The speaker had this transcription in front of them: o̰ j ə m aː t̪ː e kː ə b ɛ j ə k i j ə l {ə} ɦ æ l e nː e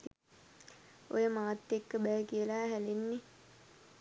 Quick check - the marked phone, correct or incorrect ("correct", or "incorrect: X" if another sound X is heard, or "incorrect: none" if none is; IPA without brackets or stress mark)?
incorrect: a